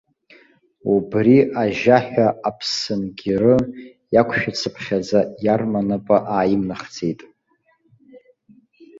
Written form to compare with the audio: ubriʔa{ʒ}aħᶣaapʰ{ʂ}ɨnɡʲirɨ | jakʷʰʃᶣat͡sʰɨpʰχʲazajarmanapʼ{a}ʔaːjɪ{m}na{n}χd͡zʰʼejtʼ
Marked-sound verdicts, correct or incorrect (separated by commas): correct, incorrect, correct, correct, incorrect